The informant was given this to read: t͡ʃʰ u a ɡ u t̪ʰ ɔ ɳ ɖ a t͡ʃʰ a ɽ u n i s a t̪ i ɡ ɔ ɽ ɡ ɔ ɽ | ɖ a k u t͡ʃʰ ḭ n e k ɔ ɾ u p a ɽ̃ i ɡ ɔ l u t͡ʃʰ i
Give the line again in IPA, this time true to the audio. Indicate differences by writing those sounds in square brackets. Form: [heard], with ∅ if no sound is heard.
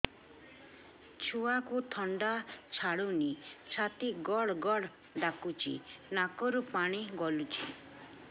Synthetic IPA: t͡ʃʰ u a [k] u t̪ʰ ɔ ɳ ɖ a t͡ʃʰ a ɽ u n i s a t̪ i ɡ ɔ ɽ ɡ ɔ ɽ | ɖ a k u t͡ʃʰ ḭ n [a] k ɔ ɾ u p a ɽ̃ i ɡ ɔ l u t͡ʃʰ i